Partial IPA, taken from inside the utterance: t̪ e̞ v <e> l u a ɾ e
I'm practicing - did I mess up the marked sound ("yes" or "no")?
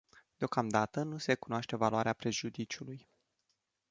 yes